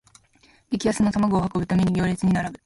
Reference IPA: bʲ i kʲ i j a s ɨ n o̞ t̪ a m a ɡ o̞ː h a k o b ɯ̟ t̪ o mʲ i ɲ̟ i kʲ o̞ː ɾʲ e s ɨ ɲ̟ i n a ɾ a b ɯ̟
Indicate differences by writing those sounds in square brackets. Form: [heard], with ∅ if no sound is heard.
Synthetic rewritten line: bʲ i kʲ i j a s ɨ n o̞ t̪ a m a ɡ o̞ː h a k o b ɯ̟ t̪ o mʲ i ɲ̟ i [ɡʲ] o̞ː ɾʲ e [t͡s] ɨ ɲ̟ i n a ɾ a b ɯ̟